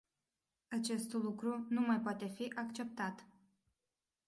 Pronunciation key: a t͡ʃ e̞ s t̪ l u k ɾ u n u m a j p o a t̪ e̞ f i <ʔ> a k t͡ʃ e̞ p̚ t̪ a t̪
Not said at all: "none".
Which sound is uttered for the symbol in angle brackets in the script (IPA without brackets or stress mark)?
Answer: ʔ